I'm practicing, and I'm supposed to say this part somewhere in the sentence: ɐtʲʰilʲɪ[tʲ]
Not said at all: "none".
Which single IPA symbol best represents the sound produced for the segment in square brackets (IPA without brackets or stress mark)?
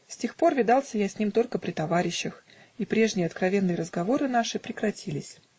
sʲ